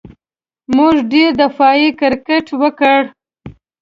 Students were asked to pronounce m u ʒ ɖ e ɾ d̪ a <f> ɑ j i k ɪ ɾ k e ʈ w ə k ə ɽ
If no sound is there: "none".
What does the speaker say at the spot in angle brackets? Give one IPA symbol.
f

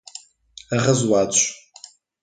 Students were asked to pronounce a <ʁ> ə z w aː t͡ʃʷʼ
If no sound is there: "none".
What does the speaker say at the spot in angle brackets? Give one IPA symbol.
ʁ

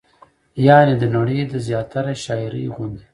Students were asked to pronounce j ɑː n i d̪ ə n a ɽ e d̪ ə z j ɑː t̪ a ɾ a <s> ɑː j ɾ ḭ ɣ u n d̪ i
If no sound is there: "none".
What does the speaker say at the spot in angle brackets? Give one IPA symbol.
ʃ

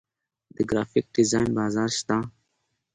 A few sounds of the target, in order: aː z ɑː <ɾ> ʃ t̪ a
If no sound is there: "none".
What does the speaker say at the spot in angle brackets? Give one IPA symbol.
ɾ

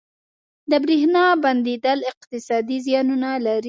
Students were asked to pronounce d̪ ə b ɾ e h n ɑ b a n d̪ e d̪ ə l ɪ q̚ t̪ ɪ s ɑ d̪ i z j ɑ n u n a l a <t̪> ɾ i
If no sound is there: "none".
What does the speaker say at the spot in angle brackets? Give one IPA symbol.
none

